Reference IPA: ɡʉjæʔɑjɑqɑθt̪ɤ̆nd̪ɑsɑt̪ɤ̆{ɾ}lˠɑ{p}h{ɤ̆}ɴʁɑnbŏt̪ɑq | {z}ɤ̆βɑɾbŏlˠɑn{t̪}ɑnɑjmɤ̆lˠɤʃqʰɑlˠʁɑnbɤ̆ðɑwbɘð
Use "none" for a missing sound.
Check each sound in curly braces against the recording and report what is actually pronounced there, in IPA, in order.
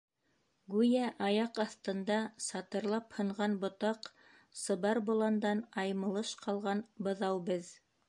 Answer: ɾ, p, ɤ̆, s, d̪

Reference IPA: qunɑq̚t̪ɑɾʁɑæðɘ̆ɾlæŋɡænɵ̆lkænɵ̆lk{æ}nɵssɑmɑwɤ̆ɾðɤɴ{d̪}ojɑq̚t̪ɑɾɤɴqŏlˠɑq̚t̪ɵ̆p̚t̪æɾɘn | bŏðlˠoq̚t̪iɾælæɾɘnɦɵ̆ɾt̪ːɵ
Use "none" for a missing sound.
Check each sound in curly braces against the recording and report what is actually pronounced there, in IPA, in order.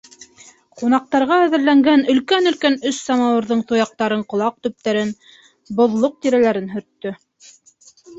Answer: æ, t̪

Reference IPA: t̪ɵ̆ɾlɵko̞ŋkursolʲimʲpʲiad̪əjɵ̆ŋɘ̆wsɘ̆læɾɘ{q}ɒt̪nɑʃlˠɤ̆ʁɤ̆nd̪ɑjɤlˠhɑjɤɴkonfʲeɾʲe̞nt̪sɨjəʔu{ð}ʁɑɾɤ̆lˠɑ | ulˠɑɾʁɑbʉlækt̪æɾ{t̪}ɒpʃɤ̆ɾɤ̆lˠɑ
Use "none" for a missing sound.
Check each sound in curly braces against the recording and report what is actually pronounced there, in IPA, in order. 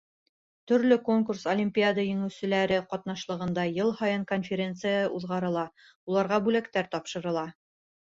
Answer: q, ð, t̪

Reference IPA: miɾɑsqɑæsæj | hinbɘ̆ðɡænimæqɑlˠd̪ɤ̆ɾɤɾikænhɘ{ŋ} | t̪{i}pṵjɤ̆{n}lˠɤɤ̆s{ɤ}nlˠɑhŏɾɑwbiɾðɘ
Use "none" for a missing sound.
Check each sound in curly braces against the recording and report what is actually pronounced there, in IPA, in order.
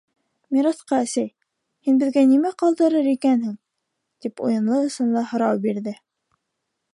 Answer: ŋ, i, n, ɤ

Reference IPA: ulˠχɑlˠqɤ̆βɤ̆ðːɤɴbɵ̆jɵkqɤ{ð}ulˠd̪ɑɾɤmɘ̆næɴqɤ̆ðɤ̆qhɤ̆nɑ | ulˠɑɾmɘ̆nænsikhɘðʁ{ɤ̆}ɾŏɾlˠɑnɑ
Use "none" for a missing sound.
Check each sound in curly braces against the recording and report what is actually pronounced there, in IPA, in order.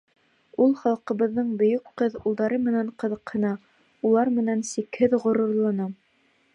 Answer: ð, ŏ

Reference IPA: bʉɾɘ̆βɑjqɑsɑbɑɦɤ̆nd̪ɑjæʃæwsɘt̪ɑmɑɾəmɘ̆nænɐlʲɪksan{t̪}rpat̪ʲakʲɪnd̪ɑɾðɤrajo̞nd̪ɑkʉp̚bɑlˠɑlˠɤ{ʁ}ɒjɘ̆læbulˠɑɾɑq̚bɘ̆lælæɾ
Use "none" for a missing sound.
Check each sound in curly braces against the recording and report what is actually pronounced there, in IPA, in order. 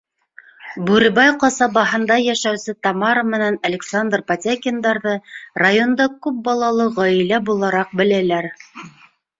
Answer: d̪, ʁ

